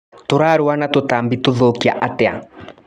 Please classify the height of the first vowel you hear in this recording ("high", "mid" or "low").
mid